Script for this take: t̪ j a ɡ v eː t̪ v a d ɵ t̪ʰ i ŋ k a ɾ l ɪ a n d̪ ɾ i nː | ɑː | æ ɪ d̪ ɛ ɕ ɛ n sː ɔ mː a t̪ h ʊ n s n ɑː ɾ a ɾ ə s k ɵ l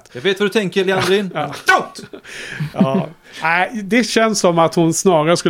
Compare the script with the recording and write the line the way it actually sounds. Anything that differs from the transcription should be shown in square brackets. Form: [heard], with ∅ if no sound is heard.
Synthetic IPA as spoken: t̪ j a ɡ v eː t̪ v a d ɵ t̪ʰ [ɛ] ŋ k [ə] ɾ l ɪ a n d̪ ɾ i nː | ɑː | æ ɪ d̪ ɛ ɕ ɛ n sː ɔ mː a t̪ h ʊ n s n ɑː ɾ a ɾ ə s k ɵ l